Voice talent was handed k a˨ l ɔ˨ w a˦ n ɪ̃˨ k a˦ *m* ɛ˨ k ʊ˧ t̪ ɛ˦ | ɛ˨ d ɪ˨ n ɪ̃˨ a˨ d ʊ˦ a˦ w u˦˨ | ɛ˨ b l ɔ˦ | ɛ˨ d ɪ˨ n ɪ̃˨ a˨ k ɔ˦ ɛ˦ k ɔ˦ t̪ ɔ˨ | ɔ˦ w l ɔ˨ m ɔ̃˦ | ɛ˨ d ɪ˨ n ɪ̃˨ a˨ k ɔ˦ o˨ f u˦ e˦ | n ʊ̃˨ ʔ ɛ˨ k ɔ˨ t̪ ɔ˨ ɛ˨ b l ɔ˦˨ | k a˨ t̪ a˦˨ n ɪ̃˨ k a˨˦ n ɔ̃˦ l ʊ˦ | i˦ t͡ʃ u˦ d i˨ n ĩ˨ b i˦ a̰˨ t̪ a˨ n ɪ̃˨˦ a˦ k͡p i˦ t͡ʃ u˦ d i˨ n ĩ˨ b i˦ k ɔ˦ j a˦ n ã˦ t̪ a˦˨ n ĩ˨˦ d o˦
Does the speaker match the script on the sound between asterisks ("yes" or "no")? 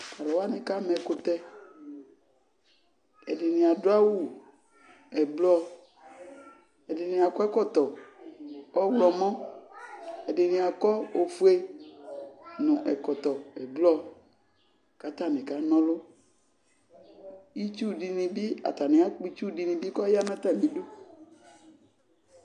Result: yes